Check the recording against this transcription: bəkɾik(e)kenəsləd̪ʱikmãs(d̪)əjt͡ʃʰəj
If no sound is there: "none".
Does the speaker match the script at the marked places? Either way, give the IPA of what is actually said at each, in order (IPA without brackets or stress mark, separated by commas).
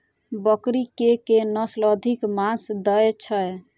e, d̪